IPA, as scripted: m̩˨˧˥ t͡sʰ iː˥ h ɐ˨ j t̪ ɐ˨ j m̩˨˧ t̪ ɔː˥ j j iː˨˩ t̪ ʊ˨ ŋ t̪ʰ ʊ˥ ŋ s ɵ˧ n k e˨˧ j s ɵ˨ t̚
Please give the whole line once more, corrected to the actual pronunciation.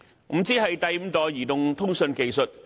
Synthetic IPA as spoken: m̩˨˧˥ t͡s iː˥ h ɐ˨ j t̪ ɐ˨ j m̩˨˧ t̪ ɔː˨ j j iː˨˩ t̪ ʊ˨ ŋ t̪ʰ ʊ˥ ŋ s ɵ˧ n k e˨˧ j s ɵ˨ t̚